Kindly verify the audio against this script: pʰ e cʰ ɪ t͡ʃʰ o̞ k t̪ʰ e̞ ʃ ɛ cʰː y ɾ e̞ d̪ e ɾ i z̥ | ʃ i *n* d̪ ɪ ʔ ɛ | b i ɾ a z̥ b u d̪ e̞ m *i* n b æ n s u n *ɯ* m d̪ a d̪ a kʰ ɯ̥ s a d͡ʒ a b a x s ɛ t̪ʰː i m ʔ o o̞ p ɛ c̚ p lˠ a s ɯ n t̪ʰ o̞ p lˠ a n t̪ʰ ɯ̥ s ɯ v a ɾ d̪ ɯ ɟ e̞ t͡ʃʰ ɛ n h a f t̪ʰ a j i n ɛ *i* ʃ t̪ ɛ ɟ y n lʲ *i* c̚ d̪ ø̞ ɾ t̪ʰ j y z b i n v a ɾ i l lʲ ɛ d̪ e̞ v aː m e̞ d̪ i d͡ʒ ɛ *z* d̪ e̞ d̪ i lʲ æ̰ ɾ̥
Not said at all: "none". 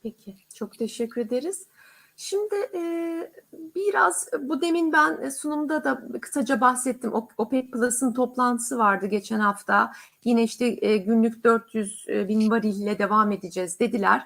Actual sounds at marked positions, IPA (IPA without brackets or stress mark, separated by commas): m, i, u, i, y, z